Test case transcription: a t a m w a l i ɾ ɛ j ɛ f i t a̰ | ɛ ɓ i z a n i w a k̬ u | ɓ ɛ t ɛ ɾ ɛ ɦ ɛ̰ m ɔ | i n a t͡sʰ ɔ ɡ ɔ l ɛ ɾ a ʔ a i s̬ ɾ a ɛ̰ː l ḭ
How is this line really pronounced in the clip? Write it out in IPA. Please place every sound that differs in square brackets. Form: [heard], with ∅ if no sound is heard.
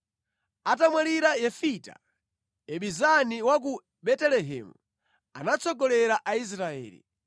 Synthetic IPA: a t a m w a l i ɾ [a] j ɛ f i t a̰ | ɛ ɓ i z a n i w a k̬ u | ɓ ɛ t ɛ [l] ɛ ɦ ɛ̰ m [u] | [a] n a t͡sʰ ɔ ɡ ɔ l ɛ ɾ a ʔ a i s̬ ɾ a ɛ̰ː l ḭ

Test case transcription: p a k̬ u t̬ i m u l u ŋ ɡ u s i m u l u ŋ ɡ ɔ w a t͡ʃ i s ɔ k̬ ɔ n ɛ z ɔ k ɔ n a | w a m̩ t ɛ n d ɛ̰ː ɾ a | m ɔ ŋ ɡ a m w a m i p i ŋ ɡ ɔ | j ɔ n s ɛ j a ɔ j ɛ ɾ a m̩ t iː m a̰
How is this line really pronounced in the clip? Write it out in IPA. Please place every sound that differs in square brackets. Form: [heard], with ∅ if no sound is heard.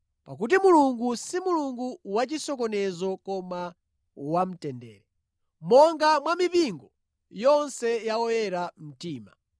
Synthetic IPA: p a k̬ u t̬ i m u l u ŋ ɡ u s i m u l u ŋ ɡ [u] w a t͡ʃ i s ɔ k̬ ɔ n ɛ z ɔ k ɔ [m] a | w a m̩ t ɛ n d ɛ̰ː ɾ [ɛ] | m ɔ ŋ ɡ a m w a m i p i ŋ ɡ ɔ | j ɔ n s ɛ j a ɔ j ɛ ɾ a m̩ t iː m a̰

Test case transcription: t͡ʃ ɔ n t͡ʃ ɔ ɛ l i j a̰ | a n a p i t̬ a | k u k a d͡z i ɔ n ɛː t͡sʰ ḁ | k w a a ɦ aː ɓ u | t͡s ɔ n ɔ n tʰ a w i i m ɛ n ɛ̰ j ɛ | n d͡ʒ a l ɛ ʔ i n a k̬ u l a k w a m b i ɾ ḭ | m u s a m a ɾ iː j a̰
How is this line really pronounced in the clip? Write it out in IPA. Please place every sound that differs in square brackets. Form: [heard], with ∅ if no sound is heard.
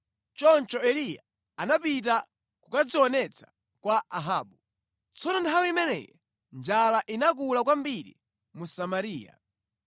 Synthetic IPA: t͡ʃ ɔ n t͡ʃ ɔ ɛ l i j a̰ | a n a p i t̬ a | k u k a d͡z i ɔ n [ɛ] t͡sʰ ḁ | k w a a ɦ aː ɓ u | t͡s ɔ n ɔ n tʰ a w i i m ɛ n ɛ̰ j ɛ | n d͡ʒ a l [a] ʔ i n a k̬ u l a k w a m b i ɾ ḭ | m u s a m a ɾ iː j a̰

